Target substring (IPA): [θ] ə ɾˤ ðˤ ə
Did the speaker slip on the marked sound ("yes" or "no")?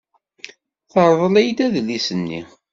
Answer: no